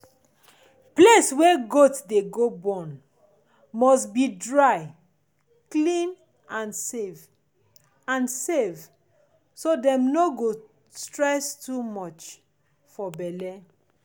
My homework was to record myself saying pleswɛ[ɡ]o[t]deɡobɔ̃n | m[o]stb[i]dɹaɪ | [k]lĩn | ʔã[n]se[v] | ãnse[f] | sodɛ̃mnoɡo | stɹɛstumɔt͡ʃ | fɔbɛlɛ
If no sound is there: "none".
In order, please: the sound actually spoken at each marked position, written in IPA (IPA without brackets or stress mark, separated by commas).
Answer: ɡ, t, ɔ, i, k, n, v, v